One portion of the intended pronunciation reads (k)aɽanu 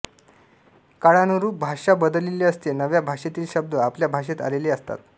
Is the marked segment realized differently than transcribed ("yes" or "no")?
no